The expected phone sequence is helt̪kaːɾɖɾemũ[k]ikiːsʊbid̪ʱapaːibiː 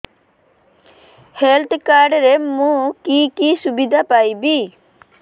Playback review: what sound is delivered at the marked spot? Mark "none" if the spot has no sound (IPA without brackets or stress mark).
k